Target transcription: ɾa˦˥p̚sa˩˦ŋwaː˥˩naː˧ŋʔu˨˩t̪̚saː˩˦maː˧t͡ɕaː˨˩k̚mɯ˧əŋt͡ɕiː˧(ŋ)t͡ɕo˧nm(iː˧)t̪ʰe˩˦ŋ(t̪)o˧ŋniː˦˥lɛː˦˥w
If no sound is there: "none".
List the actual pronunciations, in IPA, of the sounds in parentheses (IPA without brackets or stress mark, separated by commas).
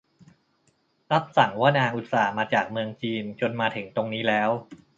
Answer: n, aː˧, t̪